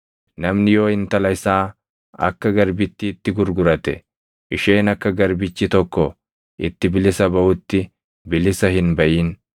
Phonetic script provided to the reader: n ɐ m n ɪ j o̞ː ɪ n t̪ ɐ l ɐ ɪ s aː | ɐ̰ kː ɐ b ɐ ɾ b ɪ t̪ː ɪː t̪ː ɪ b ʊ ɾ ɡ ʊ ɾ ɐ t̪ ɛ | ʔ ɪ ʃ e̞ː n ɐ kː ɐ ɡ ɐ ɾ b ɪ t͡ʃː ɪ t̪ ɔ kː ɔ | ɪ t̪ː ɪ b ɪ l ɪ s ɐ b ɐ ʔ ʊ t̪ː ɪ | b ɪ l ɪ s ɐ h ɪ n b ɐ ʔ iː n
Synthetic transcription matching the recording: n ɐ m n ɪ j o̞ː ɪ n t̪ ɐ l ɐ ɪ s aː | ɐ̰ kː ɐ ɡ ɐ ɾ b ɪ t̪ː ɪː t̪ː ɪ ɡ ʊ ɾ ɡ ʊ ɾ ɐ t̪ ɛ | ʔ ɪ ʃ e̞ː n ɐ kː ɐ ɡ ɐ ɾ b ɪ t͡ʃː ɪ t̪ ɔ kː ɔ | ɪ t̪ː ɪ b ɪ l ɪ s ɐ b ɐ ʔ ʊ t̪ː ɪ | b ɪ l ɪ s ɐ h ɪ n b ɐ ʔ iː n